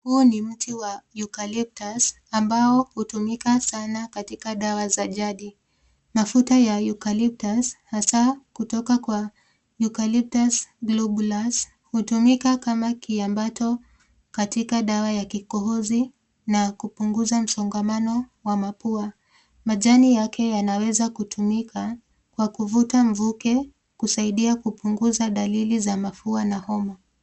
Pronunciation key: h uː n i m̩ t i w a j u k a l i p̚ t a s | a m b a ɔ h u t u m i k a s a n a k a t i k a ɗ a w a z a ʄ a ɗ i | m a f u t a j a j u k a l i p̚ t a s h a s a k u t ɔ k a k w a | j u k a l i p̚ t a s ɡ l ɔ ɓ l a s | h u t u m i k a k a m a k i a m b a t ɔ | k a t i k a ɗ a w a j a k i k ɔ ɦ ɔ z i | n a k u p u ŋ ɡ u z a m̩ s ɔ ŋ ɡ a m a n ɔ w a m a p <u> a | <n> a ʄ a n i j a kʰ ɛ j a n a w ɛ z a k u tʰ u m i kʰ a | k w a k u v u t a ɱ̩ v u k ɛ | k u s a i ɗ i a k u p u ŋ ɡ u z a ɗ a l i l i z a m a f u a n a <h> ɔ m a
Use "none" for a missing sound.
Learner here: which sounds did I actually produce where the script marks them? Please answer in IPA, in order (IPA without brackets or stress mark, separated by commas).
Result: u, m, h